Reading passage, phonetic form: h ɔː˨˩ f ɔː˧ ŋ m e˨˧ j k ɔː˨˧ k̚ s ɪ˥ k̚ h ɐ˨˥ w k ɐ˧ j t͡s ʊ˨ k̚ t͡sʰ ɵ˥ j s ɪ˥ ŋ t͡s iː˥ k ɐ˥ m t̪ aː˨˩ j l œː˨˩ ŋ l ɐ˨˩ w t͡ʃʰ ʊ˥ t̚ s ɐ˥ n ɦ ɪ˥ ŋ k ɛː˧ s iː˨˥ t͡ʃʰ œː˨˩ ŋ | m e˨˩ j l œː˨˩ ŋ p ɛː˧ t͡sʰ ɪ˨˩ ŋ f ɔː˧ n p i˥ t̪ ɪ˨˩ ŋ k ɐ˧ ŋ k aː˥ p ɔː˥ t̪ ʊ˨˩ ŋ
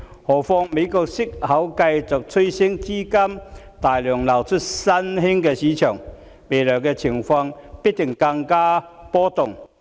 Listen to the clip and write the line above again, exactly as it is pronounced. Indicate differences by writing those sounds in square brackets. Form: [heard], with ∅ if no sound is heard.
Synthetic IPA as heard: h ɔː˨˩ f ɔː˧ ŋ m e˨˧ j k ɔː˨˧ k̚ s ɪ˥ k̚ h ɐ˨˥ w k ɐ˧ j t͡s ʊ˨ k̚ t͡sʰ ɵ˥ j s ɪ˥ ŋ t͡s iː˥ k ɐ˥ m t̪ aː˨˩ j l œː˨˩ ŋ l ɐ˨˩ w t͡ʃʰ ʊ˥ t̚ s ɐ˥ n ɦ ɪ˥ ŋ k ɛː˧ s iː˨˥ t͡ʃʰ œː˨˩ ŋ | m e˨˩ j l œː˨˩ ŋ [k] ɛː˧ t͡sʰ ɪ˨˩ ŋ f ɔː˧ [ŋ] p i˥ t̪ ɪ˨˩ ŋ k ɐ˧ ŋ k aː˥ p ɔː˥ t̪ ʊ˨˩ ŋ

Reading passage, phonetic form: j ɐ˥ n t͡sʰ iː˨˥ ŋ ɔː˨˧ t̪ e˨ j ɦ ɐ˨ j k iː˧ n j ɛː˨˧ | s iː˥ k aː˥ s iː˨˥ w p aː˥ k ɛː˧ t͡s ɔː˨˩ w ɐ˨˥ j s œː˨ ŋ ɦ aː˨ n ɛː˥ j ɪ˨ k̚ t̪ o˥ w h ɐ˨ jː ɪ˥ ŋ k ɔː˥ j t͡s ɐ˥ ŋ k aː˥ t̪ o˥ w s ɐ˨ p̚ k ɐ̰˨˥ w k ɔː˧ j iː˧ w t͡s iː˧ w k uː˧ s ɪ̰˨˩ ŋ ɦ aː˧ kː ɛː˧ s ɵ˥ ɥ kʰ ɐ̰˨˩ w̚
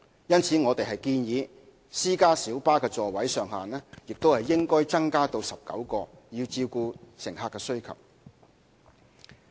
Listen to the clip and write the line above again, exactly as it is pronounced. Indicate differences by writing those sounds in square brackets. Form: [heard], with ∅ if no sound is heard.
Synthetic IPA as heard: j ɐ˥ n t͡sʰ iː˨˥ ŋ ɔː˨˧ t̪ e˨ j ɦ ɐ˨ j k iː˧ n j [iː˨˧] | s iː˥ k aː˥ s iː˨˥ w p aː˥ k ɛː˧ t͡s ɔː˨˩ w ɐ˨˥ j s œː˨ ŋ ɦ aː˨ n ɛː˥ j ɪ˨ k̚ t̪ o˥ w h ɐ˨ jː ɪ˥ ŋ k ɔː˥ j t͡s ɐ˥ ŋ k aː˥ t̪ [o˧] w s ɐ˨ p̚ k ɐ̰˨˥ w k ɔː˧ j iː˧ w t͡s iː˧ w k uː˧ s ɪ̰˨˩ ŋ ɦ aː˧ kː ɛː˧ s ɵ˥ ɥ kʰ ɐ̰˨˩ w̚

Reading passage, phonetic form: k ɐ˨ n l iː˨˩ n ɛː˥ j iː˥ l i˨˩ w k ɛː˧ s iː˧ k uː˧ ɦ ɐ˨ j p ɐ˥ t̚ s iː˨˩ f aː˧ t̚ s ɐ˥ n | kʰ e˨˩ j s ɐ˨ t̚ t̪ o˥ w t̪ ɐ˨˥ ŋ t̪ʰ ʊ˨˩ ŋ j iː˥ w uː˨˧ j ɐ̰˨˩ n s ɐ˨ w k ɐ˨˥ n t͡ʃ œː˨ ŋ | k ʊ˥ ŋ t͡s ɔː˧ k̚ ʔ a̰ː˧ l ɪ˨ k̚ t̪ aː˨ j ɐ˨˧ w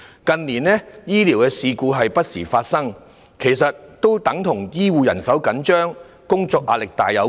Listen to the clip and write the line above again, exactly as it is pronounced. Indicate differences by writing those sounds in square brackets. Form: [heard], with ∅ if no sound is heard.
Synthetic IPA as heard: k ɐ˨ n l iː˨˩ n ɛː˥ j iː˥ l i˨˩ w k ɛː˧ s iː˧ k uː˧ ɦ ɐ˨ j p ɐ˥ t̚ s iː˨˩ f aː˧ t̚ s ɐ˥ [ŋ] | kʰ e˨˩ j s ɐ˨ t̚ t̪ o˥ w t̪ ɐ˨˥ ŋ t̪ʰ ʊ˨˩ ŋ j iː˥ w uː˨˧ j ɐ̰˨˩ n s [ɐ˨˥] w k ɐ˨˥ n t͡ʃ [œː˥] ŋ | k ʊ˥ ŋ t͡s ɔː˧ k̚ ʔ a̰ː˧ l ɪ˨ k̚ t̪ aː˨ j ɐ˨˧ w

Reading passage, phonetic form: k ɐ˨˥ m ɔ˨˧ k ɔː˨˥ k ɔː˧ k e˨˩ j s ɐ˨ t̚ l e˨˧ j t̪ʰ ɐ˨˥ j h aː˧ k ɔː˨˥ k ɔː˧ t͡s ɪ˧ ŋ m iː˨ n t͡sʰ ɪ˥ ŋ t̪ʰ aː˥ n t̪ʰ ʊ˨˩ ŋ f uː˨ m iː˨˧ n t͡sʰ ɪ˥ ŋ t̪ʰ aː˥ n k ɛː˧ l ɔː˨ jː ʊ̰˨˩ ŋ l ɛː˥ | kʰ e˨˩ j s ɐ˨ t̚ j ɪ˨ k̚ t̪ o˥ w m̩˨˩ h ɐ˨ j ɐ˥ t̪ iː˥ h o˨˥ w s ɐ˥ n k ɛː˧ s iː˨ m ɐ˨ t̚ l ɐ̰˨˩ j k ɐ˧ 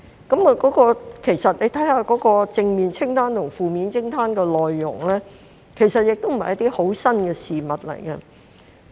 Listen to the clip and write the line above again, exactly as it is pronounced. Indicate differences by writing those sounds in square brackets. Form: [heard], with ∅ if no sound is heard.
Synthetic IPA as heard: k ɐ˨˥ m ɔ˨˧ k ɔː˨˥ k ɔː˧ [kʰ] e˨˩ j s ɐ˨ t̚ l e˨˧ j t̪ʰ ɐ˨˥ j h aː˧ k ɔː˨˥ k ɔː˧ t͡s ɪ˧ ŋ m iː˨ n t͡sʰ ɪ˥ ŋ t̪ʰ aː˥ n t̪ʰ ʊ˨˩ ŋ f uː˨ m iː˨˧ n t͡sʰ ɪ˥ ŋ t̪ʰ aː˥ n k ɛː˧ l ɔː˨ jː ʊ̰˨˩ ŋ l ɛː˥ | kʰ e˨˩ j s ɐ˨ t̚ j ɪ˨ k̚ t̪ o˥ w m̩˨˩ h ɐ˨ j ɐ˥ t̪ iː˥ h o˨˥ w s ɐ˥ n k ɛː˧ s iː˨ m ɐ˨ t̚ l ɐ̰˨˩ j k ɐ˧

